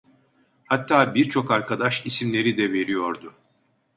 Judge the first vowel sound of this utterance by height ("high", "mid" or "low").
low